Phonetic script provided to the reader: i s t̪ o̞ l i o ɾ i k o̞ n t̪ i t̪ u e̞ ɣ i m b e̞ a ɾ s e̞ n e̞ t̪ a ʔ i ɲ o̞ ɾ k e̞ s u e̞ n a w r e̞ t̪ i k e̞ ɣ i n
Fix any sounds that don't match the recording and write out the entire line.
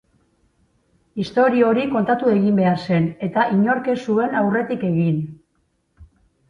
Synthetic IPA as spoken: i s t̪ o̞ ɾ i o ɾ i k o̞ n t̪ a t̪ u e̞ ɣ i m b e̞ a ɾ s e̞ n e̞ t̪ a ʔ i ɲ o̞ ɾ k e̞ s u e̞ n a w r e̞ t̪ i k e̞ ɣ i n